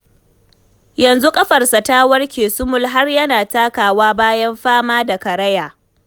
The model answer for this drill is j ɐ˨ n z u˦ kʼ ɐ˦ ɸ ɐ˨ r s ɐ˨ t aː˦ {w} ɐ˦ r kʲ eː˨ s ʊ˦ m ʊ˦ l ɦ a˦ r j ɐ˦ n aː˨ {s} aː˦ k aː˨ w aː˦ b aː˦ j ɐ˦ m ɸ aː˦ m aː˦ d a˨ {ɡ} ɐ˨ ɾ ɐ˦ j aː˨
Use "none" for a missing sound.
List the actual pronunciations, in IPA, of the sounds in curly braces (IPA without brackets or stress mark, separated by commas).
w, t, k